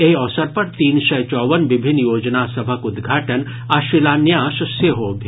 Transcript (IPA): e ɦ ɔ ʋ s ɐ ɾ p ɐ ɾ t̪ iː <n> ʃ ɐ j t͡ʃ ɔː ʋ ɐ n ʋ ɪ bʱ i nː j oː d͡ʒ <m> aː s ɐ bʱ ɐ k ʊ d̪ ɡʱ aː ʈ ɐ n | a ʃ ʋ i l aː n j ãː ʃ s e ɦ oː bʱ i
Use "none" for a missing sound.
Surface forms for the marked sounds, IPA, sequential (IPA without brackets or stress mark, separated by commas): n, n